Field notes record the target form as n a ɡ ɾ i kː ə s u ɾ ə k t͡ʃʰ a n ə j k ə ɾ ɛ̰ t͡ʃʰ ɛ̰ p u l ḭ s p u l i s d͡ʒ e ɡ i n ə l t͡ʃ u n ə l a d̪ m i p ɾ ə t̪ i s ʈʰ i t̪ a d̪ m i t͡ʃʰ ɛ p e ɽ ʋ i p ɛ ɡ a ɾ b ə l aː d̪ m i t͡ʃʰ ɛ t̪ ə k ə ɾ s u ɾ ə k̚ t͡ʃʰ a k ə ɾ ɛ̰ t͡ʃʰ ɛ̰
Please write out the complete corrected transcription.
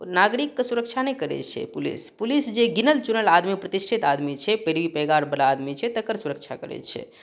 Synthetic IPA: n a ɡ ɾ i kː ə s u ɾ ə k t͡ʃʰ a n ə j k ə ɾ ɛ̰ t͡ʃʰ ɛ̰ p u l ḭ s p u l i s d͡ʒ e ɡ i n ə l t͡ʃ u n ə l a d̪ m i p ɾ ə t̪ i s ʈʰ i t̪ a d̪ m i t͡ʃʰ ɛ p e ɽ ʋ i p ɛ ɡ a ɾ b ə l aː d̪ m i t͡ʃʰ ɛ t̪ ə k ə ɾ s u ɾ ə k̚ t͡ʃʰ a k ə ɾ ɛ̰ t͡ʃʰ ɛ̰

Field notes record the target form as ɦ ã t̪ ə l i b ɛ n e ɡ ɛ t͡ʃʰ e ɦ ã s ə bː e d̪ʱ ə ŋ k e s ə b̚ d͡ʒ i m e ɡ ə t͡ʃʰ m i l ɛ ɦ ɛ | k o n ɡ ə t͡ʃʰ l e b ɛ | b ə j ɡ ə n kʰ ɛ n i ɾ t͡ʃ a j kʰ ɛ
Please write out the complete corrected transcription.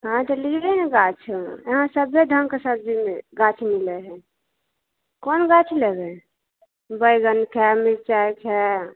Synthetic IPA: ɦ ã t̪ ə l i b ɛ n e ɡ a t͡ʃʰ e ɦ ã s ə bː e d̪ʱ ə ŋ k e s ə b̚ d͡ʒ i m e ɡ a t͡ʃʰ m i l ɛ ɦ ɛ | k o n ɡ a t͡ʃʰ l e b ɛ | b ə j ɡ ə n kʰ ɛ m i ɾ t͡ʃ a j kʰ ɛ

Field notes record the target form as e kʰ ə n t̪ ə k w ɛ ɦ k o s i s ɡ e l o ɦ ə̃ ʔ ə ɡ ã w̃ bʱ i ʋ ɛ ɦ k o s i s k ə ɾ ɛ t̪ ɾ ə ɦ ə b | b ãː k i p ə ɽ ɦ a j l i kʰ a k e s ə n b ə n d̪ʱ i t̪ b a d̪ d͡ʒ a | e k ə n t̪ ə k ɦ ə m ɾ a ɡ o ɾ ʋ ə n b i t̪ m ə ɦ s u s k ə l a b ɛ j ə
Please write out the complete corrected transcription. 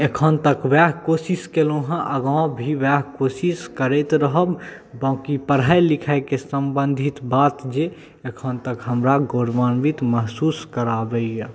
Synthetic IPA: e kʰ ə n t̪ ə k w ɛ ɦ k o s i s k e l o ɦ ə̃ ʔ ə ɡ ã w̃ bʱ i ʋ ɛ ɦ k o s i s k ə ɾ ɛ t̪ ɾ ə ɦ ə b | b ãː k i p ə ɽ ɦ a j l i kʰ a k e s ə m b ə n d̪ʱ i t̪ b a t̪ d͡ʒ e | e kʰ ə n t̪ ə k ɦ ə m ɾ a ɡ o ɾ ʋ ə n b i t̪ m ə ɦ s u s k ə ɾ a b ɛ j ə

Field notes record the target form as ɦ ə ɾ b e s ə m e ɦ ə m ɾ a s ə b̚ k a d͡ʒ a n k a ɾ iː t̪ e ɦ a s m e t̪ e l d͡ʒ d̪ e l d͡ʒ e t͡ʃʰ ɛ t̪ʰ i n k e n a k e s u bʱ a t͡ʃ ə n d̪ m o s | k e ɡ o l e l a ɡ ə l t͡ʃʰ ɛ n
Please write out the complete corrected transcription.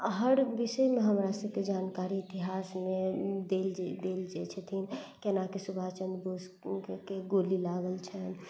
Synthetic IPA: ɦ ə ɾ b i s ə m e ɦ ə m ɾ a s ə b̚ k e d͡ʒ a n k a ɾ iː t̪ i ɦ a s m e d̪ e l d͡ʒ d̪ e l d͡ʒ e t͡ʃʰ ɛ t̪ʰ i n k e n a k e s u bʱ a t͡ʃ ə n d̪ b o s | k e ɡ o l i l a ɡ ə l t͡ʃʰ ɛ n

